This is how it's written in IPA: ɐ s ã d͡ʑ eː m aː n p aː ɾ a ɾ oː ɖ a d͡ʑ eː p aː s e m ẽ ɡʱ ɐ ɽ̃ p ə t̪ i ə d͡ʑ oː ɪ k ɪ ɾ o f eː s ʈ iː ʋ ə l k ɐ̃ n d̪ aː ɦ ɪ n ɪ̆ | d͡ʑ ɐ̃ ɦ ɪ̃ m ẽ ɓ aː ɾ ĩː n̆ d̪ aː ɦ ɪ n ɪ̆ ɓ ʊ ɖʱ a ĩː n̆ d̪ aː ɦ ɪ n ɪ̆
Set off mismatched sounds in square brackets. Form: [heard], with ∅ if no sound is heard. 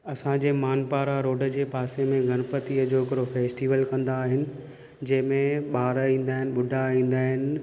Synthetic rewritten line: ɐ s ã d͡ʑ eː m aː n p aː ɾ a ɾ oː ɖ [ə] d͡ʑ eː p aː s e m ẽ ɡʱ ɐ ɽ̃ p ə t̪ i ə d͡ʑ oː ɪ k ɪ ɾ o f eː s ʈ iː ʋ ə l k ɐ̃ n d̪ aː ɦ ɪ n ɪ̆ | d͡ʑ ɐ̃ ɦ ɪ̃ m ẽ ɓ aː ɾ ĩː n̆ d̪ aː ɦ ɪ n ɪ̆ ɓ ʊ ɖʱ a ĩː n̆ d̪ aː ɦ ɪ n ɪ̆